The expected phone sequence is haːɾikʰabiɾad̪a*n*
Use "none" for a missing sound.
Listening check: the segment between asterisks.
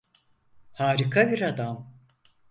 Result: m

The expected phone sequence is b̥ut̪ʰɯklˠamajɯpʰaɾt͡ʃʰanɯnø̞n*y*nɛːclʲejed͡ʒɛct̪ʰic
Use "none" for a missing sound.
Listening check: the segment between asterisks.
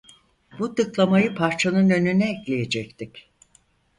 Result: y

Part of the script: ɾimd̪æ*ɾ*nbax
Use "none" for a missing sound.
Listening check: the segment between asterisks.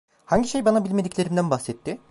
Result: none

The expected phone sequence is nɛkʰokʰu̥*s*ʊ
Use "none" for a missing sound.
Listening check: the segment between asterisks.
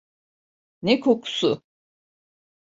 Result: s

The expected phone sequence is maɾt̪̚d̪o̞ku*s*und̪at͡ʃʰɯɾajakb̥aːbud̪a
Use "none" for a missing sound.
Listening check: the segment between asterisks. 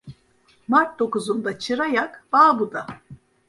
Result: z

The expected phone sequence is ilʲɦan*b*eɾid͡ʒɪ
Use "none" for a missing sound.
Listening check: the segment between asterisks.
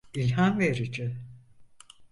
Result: v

